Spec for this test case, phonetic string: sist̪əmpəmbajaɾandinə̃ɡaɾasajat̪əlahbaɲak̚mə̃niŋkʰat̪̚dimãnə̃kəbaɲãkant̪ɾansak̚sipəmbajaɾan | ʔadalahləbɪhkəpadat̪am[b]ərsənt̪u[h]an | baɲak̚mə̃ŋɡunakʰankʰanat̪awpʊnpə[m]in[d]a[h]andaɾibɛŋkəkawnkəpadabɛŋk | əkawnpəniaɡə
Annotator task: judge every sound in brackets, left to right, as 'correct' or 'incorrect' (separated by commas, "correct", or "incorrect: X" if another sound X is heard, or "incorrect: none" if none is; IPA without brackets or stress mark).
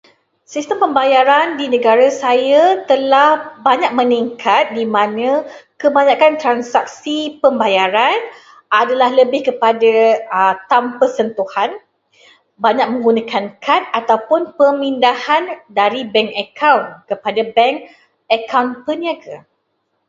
incorrect: p, correct, correct, correct, correct